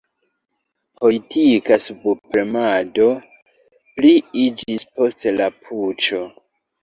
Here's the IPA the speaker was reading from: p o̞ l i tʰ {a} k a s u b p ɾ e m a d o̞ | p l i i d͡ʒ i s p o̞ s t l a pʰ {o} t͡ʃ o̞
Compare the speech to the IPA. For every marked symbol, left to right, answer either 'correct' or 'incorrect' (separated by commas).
incorrect, incorrect